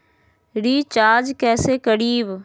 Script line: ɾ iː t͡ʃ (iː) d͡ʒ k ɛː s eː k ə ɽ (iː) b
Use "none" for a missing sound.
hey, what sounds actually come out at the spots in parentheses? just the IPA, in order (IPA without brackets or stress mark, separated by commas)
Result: aː, iː